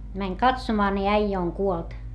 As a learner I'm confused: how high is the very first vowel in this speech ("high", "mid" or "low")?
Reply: low